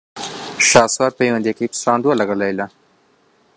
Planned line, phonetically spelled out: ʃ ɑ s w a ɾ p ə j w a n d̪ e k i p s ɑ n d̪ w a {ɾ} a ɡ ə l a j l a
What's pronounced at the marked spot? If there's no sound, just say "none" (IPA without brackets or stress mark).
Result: l